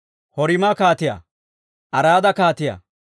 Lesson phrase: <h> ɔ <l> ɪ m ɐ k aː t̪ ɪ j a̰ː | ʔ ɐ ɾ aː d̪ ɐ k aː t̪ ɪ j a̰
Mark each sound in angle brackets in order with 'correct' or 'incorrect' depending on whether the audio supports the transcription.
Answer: correct, incorrect: ɾ

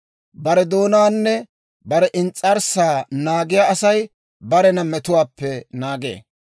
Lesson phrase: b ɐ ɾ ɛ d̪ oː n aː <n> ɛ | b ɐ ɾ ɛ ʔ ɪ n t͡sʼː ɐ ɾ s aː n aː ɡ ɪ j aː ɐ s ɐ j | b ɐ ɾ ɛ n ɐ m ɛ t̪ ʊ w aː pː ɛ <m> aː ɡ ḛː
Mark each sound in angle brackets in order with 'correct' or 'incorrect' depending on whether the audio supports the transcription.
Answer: incorrect: nː, incorrect: n

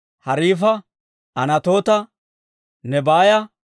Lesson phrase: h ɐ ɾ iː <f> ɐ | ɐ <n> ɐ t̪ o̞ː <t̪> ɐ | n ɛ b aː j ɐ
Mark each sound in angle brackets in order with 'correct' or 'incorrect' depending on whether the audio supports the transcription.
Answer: correct, correct, correct

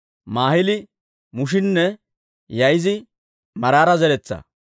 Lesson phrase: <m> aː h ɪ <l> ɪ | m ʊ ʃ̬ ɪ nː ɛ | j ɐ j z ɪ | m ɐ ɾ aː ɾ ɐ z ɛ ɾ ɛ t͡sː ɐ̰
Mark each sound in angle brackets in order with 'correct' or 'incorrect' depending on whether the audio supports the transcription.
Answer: correct, correct

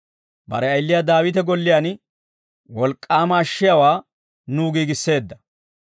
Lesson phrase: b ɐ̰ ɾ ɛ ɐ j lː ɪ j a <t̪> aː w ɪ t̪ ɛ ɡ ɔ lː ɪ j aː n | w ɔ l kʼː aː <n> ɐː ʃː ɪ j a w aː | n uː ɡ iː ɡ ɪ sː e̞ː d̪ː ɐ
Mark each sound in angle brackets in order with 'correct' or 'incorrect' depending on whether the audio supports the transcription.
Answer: incorrect: d̪, incorrect: m

